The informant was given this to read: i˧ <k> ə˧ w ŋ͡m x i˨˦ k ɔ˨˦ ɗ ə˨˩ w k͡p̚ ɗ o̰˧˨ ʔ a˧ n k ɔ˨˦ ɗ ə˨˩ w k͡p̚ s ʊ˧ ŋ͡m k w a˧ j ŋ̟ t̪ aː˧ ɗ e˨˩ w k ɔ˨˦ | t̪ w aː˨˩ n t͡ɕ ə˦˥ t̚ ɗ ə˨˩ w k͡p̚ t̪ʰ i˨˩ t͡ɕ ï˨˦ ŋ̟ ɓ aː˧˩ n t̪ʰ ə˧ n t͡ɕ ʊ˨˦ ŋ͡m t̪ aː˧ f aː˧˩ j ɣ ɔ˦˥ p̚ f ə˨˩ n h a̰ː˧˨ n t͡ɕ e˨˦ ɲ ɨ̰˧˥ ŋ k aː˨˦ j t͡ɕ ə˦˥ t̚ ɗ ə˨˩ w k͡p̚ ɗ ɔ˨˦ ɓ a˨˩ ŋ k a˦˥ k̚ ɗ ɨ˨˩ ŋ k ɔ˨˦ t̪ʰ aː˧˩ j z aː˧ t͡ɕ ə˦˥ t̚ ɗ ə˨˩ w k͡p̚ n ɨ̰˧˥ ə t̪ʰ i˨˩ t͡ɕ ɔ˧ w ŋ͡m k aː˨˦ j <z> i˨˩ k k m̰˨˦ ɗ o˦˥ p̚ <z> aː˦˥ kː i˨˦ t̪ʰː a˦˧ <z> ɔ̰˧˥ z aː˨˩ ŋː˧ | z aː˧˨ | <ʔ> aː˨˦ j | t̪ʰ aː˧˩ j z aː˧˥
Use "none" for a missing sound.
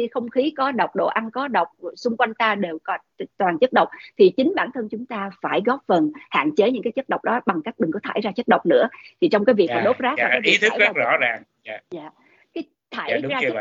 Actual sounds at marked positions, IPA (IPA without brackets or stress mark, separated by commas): x, v, z, z, k